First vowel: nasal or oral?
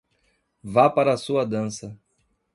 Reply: oral